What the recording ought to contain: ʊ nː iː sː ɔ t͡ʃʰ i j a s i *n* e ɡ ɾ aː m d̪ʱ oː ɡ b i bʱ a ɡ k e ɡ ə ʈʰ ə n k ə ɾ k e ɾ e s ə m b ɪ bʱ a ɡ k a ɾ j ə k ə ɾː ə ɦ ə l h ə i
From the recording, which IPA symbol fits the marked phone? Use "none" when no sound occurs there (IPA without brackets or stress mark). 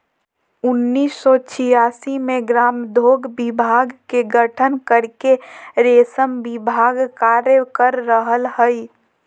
m